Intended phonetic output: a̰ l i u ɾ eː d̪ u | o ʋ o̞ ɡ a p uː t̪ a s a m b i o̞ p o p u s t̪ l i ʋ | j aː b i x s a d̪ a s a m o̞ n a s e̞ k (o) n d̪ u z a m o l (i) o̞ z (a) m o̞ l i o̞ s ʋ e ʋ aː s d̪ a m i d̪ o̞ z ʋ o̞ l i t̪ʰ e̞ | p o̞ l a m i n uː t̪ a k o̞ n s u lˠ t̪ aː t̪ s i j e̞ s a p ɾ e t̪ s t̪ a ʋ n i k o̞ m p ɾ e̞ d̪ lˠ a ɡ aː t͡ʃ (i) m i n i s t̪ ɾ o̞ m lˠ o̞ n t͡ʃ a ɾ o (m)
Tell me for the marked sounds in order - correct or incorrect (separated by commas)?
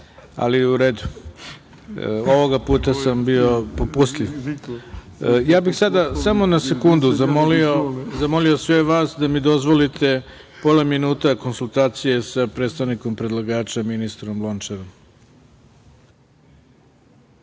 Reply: incorrect, correct, correct, incorrect, correct